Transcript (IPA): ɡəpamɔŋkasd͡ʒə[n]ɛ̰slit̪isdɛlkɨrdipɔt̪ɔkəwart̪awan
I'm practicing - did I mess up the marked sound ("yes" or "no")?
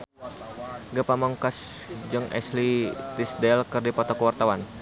yes